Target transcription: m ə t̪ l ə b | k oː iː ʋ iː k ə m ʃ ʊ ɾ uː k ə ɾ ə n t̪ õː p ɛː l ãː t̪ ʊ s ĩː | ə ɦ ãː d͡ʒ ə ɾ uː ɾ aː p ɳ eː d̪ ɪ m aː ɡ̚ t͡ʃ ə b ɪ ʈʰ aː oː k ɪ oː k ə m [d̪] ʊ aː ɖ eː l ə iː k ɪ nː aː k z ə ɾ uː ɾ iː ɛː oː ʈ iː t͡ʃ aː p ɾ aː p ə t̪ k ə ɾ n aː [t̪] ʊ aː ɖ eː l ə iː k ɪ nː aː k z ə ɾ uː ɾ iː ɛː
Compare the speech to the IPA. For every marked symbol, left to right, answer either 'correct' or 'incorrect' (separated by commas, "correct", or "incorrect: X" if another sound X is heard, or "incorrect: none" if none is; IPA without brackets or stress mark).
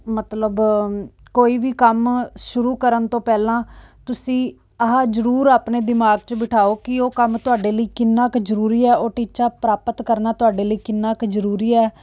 incorrect: t̪, correct